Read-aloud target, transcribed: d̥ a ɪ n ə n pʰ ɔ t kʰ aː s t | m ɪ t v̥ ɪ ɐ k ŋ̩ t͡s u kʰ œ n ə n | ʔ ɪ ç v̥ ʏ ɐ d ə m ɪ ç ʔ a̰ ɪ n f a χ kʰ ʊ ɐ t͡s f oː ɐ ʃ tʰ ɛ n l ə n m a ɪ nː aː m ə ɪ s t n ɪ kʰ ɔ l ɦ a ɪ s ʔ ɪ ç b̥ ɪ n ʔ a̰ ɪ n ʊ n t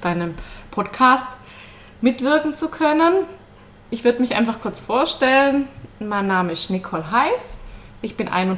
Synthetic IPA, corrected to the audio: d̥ a ɪ n ə m pʰ ɔ t kʰ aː s t | m ɪ t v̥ ɪ ɐ k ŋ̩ t͡s u kʰ œ n ə n | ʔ ɪ ç v̥ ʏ ɐ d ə m ɪ ç ʔ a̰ ɪ n f a χ kʰ ʊ ɐ t͡s f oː ɐ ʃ t ɛ l ə n m a ɪ nː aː m ə ɪ s t n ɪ kʰ ɔ l ɦ a ɪ s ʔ ɪ ç b̥ ɪ n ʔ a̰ ɪ n ʊ n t